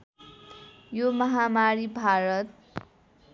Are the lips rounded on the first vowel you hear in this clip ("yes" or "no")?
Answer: yes